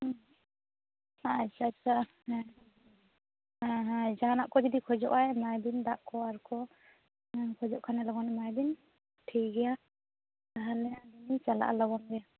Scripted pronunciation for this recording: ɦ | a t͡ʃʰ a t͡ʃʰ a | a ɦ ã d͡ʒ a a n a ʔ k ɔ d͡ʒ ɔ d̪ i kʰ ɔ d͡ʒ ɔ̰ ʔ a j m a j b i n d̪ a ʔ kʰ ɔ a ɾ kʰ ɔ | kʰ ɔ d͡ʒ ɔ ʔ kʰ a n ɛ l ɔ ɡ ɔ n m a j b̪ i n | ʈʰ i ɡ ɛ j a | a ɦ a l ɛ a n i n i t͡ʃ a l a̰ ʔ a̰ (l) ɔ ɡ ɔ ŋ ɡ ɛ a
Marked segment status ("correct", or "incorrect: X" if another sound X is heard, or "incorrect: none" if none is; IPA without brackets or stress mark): correct